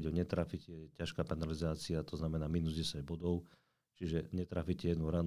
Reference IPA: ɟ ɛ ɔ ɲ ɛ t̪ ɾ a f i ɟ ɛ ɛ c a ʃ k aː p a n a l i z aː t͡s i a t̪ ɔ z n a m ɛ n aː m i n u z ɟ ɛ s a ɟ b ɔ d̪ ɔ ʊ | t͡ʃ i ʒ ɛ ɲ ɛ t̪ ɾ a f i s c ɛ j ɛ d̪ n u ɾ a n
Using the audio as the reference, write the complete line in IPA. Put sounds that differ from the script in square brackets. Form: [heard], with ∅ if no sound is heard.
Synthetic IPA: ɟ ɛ ɔ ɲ ɛ t̪ ɾ a f i [c] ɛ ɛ c a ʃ k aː p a n a l i z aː t͡s i a t̪ ɔ z n a m ɛ n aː m i n u z ɟ ɛ s a ɟ b ɔ d̪ ɔ ʊ | t͡ʃ i ʒ ɛ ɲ ɛ t̪ ɾ a f i [∅] c ɛ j ɛ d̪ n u ɾ a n